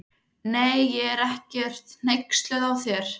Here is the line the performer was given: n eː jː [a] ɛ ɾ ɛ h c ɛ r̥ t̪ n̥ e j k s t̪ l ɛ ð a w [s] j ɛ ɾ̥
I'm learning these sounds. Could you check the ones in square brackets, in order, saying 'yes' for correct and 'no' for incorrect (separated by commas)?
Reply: no, no